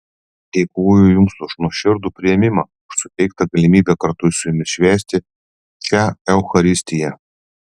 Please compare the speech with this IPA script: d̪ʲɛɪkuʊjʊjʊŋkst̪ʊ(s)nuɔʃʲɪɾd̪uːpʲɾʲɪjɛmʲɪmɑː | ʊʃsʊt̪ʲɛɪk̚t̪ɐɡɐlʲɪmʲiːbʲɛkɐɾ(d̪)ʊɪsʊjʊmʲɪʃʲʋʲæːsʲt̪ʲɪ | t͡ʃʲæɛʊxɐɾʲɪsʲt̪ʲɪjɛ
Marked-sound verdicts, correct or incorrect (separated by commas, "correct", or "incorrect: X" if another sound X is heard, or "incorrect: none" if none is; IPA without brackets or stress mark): incorrect: ʃ, incorrect: t̪